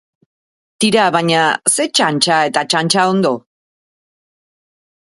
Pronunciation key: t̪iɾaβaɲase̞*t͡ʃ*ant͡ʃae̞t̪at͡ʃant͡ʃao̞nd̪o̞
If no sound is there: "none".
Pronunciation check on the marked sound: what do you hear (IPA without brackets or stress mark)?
t͡ʃ